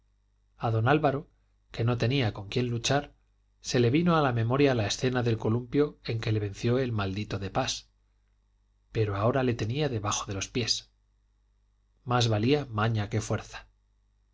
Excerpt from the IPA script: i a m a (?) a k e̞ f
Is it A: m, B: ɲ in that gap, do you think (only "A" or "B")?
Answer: B